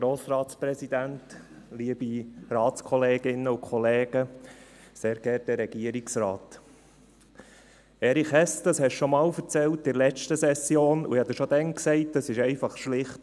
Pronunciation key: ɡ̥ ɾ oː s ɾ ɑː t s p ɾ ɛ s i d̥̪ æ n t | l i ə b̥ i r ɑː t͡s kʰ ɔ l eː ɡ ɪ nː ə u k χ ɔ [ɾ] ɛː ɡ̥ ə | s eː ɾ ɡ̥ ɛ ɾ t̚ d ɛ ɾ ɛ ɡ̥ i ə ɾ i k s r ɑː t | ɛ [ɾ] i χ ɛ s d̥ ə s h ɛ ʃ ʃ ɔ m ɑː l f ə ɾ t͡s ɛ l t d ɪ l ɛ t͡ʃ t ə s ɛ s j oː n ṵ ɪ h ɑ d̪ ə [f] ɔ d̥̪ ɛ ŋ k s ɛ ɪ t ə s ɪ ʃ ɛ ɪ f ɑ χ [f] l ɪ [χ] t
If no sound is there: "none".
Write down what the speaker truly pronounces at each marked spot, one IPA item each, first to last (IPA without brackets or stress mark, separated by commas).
l, ɾ, ʃ, ʃ, χ